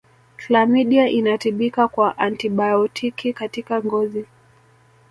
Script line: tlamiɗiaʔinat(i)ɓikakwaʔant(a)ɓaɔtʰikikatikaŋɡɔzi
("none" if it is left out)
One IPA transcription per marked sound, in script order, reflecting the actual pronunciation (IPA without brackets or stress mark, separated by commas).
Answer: i, i